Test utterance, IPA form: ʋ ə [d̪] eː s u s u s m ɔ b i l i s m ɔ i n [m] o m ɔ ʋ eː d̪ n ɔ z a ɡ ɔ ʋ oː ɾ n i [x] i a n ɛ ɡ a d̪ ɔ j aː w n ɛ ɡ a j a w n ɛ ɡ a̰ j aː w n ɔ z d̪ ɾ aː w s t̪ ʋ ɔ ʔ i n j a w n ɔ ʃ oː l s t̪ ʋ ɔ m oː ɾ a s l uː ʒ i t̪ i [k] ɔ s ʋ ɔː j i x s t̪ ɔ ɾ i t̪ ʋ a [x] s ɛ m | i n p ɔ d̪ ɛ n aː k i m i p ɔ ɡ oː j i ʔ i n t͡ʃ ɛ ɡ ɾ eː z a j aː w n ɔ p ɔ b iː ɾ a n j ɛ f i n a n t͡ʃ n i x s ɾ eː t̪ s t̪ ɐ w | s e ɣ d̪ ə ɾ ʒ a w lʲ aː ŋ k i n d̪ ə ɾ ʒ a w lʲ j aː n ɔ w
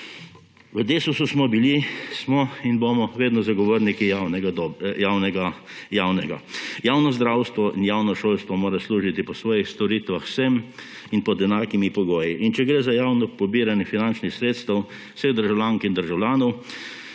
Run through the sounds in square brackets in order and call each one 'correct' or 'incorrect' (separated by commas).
correct, incorrect, incorrect, incorrect, correct